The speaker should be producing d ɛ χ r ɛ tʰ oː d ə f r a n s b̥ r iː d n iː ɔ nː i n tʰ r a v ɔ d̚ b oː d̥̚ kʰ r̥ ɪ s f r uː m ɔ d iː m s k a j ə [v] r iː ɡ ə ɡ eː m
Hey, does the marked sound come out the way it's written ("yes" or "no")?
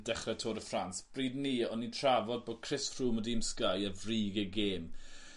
yes